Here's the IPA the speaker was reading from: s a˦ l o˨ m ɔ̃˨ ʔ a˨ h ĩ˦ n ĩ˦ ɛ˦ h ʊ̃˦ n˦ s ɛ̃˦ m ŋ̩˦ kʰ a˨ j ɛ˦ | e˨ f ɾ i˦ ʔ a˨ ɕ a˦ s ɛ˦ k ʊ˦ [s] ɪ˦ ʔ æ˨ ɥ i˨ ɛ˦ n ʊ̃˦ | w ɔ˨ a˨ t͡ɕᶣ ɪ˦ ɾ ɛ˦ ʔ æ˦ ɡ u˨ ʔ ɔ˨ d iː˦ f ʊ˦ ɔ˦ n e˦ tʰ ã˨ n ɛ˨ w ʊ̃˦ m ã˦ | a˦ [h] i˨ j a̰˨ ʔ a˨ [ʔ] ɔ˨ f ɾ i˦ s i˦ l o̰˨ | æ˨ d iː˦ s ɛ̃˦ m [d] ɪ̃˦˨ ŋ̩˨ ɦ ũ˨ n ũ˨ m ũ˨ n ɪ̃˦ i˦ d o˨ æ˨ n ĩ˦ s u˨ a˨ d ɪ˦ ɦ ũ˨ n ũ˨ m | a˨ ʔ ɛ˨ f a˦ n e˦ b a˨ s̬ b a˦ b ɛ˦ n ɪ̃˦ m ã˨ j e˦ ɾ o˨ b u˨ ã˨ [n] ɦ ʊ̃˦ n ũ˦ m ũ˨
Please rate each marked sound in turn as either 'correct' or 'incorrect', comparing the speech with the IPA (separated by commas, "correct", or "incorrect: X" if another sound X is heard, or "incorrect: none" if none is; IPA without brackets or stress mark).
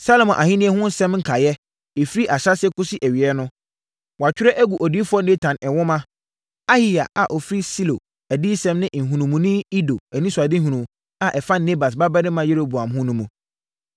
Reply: correct, correct, correct, incorrect: n, incorrect: m